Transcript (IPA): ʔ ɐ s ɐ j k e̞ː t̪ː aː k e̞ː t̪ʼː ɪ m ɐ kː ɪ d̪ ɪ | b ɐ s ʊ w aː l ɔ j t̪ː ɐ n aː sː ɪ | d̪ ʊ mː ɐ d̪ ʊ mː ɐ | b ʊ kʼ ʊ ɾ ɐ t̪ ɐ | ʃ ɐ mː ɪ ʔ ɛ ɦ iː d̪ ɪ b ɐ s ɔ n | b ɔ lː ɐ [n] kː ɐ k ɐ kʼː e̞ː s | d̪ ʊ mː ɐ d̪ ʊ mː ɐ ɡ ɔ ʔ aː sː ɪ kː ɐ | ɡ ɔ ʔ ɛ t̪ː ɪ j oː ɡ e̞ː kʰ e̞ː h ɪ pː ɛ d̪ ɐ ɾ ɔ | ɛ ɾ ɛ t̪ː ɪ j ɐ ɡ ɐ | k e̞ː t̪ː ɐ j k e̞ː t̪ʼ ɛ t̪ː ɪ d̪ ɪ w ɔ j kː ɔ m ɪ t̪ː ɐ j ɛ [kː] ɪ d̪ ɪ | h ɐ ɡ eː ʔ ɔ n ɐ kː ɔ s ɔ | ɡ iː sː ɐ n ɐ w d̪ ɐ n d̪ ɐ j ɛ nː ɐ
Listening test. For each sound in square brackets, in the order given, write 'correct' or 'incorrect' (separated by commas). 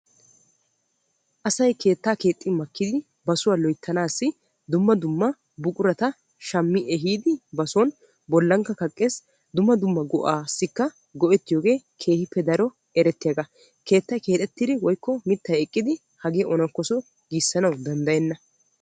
incorrect, incorrect